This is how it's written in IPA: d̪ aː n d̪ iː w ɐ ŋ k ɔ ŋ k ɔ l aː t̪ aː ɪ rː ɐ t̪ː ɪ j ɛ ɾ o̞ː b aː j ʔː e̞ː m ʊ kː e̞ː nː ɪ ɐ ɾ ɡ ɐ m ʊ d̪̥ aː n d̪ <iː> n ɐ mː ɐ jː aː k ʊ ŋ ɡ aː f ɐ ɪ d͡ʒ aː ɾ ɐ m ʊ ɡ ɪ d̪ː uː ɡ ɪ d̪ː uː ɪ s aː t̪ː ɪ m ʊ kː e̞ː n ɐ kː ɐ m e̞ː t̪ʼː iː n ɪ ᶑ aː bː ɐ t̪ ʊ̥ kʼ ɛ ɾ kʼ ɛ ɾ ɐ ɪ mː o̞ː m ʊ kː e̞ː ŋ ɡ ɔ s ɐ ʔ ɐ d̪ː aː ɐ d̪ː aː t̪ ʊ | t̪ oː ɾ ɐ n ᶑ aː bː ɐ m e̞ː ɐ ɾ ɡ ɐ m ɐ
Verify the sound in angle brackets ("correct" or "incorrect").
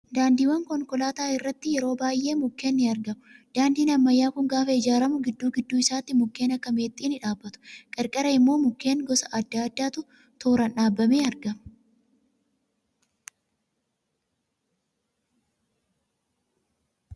correct